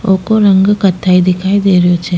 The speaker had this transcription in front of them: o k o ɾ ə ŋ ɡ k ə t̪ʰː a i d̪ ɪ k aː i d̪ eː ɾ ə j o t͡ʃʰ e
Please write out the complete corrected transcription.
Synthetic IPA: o k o ɾ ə ŋ ɡ k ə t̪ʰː a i d̪ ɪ kʰ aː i d̪ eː ɾ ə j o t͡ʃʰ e